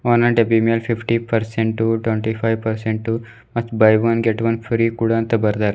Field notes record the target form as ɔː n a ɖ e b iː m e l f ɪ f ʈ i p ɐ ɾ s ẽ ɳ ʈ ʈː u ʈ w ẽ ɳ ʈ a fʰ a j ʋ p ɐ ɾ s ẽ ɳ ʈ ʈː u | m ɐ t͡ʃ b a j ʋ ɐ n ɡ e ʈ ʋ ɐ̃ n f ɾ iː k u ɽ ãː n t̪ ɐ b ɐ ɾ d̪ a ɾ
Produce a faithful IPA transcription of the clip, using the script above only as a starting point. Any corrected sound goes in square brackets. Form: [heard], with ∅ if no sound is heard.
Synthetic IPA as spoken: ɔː n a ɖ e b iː m e l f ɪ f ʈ i p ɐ ɾ s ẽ ɳ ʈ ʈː u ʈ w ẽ ɳ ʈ [i] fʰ a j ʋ p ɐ ɾ s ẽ ɳ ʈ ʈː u | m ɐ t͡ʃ b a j ʋ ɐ n ɡ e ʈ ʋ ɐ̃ n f ɾ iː k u ɽ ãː n t̪ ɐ b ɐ ɾ d̪ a ɾ

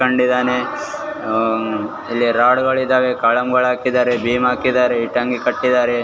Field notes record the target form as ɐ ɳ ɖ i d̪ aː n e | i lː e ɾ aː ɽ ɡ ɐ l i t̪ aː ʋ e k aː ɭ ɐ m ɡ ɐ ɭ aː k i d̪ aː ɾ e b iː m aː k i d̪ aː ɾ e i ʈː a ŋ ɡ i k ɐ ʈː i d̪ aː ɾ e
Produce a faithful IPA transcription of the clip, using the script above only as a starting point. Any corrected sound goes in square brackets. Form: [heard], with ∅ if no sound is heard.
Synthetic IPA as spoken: ɐ ɳ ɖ i d̪ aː n e | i lː [i] ɾ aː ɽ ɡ ɐ [ɭ] i [d̪] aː ʋ e k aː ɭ ɐ m ɡ ɐ ɭ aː k i d̪ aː ɾ e b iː m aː k i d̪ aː ɾ e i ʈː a ŋ ɡ i k ɐ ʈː i d̪ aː ɾ e

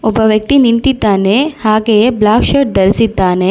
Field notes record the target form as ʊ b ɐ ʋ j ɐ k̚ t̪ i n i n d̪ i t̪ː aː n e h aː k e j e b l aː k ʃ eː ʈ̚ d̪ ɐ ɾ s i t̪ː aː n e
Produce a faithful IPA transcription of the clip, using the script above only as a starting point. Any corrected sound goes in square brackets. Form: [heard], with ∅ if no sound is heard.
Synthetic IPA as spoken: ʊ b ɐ ʋ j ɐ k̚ t̪ i n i n [t̪] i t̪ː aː n e h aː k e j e b l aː k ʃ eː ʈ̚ d̪ ɐ ɾ s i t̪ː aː n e

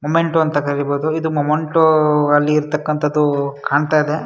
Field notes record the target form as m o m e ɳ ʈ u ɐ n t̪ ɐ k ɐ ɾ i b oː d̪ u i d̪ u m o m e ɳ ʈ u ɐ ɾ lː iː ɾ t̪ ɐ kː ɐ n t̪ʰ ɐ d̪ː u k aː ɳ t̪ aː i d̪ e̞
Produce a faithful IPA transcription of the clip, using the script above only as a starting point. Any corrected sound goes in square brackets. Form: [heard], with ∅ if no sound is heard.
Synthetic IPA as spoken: m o m e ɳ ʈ u ɐ n t̪ ɐ k ɐ ɾ i b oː d̪ u i d̪ u m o m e ɳ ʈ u ɐ [∅] lː iː ɾ t̪ ɐ kː ɐ n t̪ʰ ɐ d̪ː u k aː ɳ t̪ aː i d̪ e̞

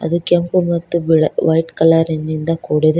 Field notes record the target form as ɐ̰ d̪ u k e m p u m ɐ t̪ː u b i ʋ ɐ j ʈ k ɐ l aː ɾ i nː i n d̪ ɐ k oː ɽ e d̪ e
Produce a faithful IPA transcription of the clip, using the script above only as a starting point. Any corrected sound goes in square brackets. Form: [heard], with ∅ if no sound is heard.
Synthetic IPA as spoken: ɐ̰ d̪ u k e m p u m ɐ t̪ː u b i ʋ ɐ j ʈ k ɐ l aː ɾ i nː i n d̪ ɐ k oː ɽ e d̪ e

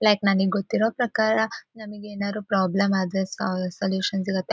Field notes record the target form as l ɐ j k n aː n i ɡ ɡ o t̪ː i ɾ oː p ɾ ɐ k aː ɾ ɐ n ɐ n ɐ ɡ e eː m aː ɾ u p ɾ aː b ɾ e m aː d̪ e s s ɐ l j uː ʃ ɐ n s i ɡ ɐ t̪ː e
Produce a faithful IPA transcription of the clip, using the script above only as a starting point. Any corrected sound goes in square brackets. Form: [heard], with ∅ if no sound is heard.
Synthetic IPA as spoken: l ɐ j k n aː n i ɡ ɡ o t̪ː i ɾ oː p ɾ ɐ k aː ɾ ɐ n ɐ [m] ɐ ɡ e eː [n] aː ɾ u p ɾ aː b [l] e m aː d̪ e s s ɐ l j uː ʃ ɐ n s i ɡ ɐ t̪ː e

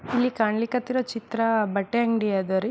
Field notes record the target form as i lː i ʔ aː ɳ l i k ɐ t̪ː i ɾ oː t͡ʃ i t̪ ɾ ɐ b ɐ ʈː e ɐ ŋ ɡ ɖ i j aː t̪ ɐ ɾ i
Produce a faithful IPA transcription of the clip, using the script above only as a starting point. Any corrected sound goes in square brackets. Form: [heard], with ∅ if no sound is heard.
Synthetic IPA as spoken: i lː i [k] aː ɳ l i k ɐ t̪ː i ɾ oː t͡ʃ i t̪ ɾ ɐ b ɐ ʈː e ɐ ŋ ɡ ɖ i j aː [d̪] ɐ ɾ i

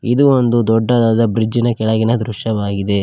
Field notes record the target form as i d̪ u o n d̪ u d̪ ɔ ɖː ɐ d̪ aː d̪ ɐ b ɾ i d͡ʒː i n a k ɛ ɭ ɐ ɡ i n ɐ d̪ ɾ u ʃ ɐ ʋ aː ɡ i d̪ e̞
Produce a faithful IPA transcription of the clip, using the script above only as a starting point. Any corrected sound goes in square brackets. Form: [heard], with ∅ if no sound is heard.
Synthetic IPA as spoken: i d̪ u o n d̪ u d̪ ɔ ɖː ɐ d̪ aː d̪ ɐ b ɾ i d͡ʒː i n [ɐ] k ɛ ɭ ɐ ɡ i n ɐ d̪ ɾ u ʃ ɐ ʋ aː ɡ i d̪ e̞

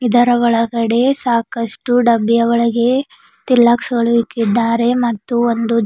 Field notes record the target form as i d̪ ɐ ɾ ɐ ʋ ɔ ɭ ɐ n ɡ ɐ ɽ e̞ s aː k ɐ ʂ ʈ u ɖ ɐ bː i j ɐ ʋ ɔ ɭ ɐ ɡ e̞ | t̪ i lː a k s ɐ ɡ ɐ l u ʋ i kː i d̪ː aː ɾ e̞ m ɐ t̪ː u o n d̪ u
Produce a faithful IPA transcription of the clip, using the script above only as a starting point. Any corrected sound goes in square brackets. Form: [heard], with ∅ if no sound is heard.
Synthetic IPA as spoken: i d̪ ɐ ɾ ɐ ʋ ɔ ɭ ɐ [∅] ɡ ɐ ɽ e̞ s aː k ɐ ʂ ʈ u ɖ ɐ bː i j ɐ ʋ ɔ ɭ ɐ ɡ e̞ | t̪ i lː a k s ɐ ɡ ɐ [ɭ] u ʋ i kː i d̪ː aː ɾ e̞ m ɐ t̪ː u o n d̪ u

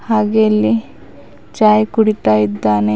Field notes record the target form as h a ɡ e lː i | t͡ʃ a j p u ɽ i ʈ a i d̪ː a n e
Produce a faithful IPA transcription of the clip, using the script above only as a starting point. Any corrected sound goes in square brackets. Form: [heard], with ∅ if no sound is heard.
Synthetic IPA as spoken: h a ɡ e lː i | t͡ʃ a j [k] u ɽ i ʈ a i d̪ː a n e

